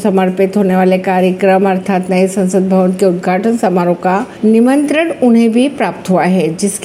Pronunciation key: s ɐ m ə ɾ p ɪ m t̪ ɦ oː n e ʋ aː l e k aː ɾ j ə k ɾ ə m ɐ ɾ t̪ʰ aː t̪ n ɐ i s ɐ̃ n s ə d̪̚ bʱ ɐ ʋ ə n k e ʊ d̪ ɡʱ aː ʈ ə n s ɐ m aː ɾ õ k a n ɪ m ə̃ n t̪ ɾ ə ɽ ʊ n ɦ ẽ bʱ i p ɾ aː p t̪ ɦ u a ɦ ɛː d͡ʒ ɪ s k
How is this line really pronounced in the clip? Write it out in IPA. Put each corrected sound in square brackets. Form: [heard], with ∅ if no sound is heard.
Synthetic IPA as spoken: s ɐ m ə ɾ p ɪ [∅] t̪ ɦ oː n e ʋ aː l e k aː ɾ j ə k ɾ ə m ɐ ɾ t̪ʰ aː t̪ n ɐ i s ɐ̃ n s ə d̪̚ bʱ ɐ ʋ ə n k e ʊ d̪ ɡʱ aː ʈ ə n s ɐ m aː ɾ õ k a n ɪ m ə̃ n t̪ ɾ ə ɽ ʊ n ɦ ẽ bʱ i p ɾ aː p t̪ ɦ u a ɦ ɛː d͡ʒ ɪ s k